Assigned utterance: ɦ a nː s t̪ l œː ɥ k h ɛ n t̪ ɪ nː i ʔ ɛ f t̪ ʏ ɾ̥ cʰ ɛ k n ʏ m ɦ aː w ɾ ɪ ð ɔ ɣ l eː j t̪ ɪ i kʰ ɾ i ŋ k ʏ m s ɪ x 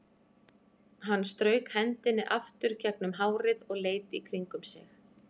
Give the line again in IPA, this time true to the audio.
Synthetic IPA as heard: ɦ a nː s t̪ ɾ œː ɥ k h ɛ n t̪ ɪ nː ɪ ʔ a f t̪ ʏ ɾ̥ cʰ ɛ k n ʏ m ɦ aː w ɾ ɪ ð ɔ ɣ l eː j t̪ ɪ i kʰ ɾ i ŋ k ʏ m s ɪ x